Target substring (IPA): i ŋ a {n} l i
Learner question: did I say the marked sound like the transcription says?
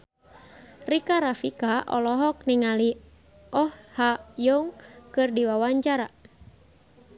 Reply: no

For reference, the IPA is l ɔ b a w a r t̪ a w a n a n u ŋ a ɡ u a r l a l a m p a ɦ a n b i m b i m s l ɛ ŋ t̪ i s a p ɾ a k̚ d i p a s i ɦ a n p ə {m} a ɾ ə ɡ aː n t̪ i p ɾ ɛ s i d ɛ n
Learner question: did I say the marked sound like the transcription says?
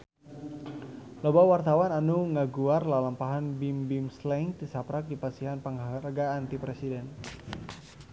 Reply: no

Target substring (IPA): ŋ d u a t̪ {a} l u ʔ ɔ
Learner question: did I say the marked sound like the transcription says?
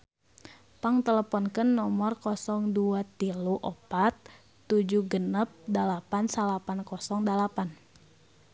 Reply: no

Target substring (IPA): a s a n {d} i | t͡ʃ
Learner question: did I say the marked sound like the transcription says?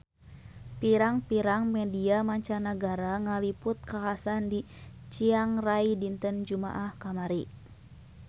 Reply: yes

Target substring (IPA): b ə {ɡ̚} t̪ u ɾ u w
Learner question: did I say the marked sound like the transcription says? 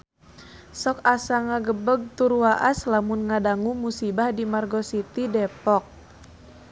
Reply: yes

